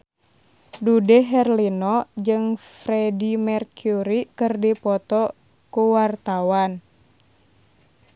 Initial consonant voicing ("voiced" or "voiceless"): voiced